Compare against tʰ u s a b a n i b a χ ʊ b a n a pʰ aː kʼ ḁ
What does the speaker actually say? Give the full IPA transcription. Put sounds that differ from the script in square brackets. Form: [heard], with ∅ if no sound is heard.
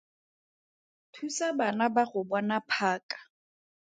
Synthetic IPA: tʰ u s a b a n [a] b a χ ʊ b a n a pʰ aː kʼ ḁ